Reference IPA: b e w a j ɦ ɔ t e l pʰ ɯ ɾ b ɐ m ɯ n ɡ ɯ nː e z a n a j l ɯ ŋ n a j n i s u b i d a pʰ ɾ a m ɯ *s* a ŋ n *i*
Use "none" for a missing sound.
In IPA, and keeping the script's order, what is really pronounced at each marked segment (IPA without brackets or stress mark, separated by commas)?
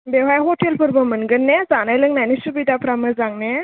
z, e